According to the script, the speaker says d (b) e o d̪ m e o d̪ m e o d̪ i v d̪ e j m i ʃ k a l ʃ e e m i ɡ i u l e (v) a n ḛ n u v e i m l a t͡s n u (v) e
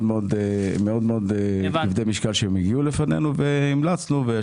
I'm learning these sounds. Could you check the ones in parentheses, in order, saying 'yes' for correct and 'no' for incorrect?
no, no, yes

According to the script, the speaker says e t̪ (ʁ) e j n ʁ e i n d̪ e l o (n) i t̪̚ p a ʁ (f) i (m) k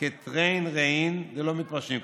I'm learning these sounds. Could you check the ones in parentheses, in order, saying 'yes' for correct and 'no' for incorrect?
yes, no, no, yes

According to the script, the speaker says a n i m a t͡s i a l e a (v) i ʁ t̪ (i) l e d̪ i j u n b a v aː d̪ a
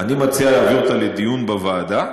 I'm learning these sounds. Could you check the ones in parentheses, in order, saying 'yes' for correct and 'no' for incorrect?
yes, no

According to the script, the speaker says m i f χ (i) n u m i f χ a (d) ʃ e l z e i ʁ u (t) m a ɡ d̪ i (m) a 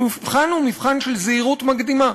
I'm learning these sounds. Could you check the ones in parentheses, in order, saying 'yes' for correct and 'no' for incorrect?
no, no, yes, yes

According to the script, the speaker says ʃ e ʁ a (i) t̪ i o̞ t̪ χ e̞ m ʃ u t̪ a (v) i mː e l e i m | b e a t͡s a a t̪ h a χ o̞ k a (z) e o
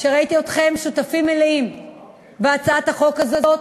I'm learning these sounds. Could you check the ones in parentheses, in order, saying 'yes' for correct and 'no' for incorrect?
yes, no, yes

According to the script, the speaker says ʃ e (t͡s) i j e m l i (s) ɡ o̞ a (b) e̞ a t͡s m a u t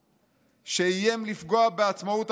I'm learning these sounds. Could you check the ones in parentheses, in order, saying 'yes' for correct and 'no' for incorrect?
no, no, yes

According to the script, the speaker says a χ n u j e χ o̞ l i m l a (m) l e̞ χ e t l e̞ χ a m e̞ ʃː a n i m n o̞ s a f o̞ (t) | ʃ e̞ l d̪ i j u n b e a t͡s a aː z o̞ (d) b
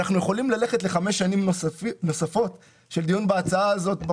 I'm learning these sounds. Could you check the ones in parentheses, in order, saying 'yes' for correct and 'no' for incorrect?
no, yes, no

